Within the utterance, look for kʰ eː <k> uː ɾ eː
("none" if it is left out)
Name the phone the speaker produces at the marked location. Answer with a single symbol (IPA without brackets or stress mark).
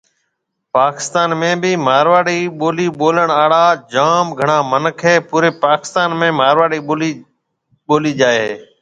p